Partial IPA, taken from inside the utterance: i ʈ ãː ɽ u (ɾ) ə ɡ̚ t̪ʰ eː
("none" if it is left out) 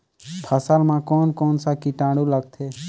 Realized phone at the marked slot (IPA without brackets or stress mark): l